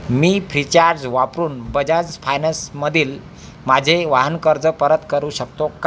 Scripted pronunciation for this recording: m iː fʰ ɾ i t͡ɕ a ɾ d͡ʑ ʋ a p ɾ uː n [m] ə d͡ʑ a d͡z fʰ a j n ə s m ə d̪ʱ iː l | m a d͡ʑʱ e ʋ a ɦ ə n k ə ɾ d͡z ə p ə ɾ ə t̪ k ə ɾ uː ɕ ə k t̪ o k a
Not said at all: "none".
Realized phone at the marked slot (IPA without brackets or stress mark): b